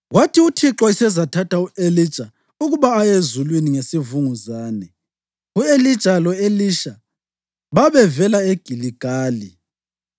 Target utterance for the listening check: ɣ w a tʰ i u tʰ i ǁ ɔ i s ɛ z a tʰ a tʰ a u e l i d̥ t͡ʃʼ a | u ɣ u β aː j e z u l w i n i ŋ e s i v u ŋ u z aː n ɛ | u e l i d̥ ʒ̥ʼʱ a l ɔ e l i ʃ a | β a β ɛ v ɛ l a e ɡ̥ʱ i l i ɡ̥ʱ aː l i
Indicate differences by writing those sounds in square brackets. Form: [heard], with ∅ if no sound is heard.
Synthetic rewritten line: ɣ w a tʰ i u tʰ i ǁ ɔ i s ɛ z a tʰ a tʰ a u e l i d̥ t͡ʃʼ a | u ɣ u β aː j e z u l w i n i ŋ e s i v u ŋ u z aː n ɛ | u e l i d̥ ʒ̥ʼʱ a l ɔ e l i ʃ a | β a β ɛ v ɛ l a e ɡ̥ʱ i l i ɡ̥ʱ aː l i